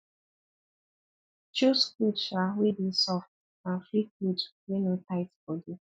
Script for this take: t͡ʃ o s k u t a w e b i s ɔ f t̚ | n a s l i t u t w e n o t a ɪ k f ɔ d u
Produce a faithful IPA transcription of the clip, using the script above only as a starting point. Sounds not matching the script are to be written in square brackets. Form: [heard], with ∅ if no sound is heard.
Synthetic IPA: t͡ʃ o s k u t a w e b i s ɔ f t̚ | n a [f] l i [k] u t w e n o t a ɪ [t] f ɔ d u